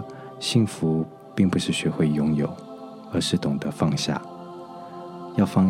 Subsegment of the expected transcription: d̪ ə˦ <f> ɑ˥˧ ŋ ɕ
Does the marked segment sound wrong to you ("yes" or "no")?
no